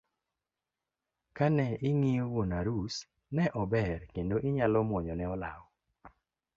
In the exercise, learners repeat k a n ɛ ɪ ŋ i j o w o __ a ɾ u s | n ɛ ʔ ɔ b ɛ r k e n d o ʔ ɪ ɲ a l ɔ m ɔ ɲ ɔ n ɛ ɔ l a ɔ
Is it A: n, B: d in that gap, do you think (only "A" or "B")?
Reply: A